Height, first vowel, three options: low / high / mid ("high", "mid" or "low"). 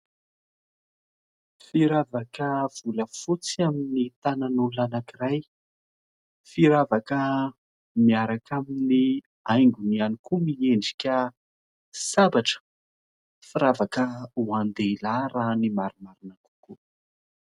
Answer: high